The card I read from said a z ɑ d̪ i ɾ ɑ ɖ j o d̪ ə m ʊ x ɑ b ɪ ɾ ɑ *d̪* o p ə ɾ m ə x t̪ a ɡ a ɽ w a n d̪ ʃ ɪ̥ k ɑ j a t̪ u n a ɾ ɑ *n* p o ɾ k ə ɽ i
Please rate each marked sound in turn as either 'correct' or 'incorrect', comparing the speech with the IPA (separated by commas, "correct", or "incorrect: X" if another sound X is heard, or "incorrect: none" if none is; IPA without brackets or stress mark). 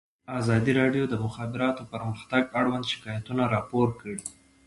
incorrect: t̪, incorrect: none